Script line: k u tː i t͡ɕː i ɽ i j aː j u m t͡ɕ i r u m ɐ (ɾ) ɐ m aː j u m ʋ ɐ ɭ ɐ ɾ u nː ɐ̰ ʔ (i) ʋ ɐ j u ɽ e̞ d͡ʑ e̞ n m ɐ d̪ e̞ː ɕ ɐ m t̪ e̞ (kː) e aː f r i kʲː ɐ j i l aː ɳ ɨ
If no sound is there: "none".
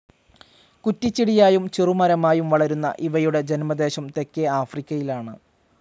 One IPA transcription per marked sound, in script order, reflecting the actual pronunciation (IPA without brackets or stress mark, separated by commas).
ɾ, i, kː